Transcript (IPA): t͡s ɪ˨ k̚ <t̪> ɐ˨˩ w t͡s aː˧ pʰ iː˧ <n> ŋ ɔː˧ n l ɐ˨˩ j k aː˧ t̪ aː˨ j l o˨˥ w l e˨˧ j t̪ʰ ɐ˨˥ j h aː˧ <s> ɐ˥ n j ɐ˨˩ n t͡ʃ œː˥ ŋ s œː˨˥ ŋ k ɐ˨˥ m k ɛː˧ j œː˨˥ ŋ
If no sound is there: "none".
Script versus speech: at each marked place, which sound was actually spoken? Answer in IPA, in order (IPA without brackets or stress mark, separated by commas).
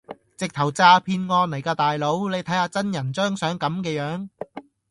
t̪ʰ, n, t͡s